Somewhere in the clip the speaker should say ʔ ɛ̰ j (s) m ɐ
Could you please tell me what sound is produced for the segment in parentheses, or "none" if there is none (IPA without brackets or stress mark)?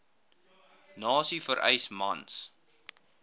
s